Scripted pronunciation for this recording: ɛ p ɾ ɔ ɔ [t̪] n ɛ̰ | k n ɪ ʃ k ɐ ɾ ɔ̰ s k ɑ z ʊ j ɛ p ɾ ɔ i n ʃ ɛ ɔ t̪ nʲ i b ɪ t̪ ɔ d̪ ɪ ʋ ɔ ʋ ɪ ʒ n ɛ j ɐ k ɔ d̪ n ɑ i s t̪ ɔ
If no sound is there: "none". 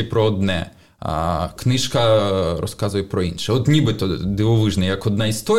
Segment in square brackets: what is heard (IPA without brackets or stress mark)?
d̪